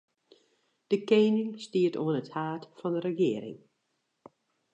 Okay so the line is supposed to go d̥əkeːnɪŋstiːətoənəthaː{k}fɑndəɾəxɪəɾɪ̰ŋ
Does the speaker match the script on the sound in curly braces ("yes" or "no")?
no